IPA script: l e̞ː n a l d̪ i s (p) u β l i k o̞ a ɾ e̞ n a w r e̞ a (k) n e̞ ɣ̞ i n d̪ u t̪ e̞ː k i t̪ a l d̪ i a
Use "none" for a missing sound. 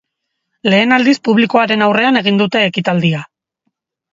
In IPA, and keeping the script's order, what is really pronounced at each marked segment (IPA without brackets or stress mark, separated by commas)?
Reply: p, none